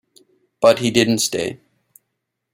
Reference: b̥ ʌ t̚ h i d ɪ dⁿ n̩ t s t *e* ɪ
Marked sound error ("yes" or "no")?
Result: no